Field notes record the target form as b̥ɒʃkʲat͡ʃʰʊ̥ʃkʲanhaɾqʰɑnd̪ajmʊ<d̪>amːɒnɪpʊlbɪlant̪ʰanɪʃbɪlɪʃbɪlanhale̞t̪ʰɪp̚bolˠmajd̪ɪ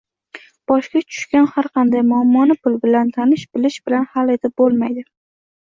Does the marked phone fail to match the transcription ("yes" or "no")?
yes